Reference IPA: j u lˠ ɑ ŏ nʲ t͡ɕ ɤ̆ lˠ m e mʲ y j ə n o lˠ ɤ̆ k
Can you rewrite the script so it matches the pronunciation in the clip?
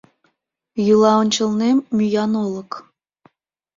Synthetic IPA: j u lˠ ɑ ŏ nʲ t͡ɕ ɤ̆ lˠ n e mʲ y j ɑ n o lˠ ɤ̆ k